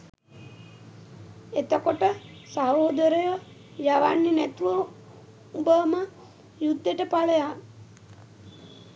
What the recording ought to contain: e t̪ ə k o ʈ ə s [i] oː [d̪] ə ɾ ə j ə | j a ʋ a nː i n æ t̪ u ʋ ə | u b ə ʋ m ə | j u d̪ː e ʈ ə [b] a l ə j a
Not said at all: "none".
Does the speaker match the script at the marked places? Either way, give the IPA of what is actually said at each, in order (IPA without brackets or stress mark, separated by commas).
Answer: a, d̪, p